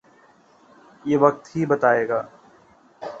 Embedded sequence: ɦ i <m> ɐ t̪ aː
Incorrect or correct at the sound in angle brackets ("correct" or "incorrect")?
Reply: incorrect